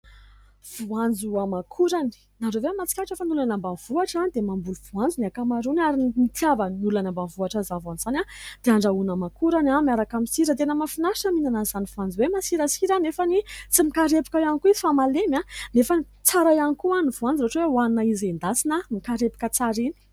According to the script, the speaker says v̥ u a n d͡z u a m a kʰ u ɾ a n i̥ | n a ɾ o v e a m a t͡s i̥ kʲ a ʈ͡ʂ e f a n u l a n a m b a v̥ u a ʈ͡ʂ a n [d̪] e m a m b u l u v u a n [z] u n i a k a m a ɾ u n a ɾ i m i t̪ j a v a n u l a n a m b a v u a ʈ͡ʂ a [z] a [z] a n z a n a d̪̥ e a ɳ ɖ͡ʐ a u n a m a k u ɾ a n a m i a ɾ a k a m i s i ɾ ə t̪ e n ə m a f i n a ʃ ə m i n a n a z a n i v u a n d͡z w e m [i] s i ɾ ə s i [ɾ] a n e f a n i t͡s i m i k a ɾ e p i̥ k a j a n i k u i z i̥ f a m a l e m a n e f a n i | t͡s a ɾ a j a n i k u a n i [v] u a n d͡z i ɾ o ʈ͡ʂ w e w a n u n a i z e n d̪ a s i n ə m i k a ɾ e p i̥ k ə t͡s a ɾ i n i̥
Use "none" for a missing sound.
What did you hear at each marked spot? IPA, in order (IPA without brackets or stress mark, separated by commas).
d̪, d͡z, z, v, a, ɾ, v